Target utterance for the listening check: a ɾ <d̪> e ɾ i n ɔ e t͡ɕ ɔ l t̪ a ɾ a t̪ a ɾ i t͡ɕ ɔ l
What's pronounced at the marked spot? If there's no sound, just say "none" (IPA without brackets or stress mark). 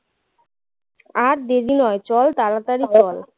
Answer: d̪